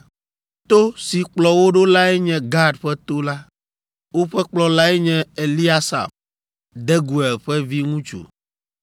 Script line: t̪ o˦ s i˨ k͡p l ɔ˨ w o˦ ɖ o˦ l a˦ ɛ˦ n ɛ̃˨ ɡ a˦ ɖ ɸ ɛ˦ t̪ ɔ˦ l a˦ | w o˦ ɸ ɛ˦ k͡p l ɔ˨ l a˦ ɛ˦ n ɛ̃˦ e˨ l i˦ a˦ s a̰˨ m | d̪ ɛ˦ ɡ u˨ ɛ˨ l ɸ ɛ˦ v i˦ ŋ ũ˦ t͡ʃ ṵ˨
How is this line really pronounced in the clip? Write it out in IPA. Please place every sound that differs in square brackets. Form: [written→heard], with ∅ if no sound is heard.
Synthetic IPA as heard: t̪ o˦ s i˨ k͡p l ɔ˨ w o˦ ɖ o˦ l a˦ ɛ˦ [n→ɲ] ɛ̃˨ ɡ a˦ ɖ ɸ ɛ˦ t̪ [ɔ˦→o˦] l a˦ | w o˦ ɸ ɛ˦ k͡p l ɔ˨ l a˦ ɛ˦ [n→ɲ] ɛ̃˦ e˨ l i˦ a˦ s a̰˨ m | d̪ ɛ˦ ɡ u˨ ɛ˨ l ɸ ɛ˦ v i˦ ŋ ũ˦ t͡ʃ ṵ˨